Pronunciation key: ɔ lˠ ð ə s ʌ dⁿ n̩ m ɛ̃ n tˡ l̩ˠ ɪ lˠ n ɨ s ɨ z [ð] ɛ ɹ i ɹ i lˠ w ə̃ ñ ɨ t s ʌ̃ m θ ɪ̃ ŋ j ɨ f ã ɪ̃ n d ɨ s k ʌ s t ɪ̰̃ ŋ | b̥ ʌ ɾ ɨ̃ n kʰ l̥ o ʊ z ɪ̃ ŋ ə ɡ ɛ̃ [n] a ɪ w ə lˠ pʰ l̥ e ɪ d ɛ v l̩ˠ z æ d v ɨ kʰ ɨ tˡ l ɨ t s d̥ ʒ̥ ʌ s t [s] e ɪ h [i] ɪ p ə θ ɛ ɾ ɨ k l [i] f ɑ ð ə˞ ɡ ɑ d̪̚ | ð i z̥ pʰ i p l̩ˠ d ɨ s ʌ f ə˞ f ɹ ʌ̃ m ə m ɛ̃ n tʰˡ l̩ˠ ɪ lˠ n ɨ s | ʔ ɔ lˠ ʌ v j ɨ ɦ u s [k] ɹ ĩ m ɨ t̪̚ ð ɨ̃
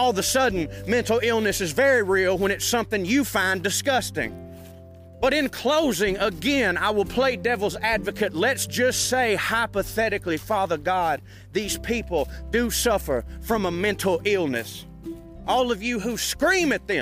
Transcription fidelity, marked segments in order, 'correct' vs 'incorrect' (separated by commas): incorrect, correct, correct, incorrect, correct, correct